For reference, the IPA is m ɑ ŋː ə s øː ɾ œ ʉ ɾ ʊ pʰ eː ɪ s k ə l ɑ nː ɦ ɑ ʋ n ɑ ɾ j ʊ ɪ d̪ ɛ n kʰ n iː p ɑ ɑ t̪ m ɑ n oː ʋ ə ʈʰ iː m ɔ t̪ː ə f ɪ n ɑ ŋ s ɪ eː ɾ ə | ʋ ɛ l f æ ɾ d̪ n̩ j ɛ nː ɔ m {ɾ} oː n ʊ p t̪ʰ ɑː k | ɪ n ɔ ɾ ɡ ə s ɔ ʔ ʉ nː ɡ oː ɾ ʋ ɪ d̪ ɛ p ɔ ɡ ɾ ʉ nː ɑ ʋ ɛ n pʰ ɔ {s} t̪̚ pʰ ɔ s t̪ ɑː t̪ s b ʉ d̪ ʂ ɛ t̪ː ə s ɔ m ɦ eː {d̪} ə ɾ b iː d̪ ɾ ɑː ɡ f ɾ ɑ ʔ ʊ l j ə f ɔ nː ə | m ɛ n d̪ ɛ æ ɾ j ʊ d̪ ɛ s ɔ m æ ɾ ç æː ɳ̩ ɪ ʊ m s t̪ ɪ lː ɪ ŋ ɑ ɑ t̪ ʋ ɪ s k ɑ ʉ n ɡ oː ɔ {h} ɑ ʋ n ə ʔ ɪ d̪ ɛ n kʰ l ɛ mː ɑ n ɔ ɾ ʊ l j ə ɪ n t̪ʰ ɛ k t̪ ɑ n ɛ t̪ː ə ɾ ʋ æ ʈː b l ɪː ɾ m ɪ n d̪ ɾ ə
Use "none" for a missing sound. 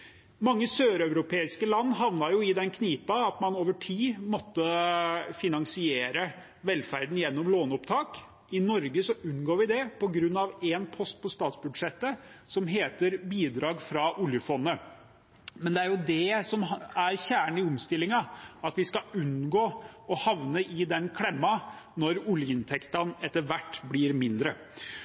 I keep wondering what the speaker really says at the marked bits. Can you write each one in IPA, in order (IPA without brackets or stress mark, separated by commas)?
l, s, t̪, h